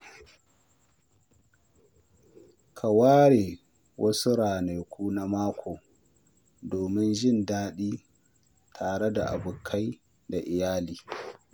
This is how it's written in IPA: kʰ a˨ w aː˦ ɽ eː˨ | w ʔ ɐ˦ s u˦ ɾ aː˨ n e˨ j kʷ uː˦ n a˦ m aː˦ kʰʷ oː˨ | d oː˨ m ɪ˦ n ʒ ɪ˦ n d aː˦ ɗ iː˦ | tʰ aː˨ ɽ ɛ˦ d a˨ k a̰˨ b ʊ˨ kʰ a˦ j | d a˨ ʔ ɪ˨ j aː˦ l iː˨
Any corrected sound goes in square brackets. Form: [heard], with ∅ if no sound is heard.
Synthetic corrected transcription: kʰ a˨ w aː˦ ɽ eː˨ | w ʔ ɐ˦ s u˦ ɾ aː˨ n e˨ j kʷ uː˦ n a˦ m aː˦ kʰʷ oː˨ | d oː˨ m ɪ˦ n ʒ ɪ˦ n d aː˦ ɗ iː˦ | tʰ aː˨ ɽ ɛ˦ d a˨ [ʔ] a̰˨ b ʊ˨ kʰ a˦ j | d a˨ ʔ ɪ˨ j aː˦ l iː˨